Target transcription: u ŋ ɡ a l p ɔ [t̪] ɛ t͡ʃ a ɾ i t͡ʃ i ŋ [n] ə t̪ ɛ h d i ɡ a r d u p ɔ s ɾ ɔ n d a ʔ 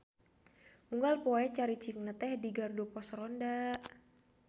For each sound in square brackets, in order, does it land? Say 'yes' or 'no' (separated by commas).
no, yes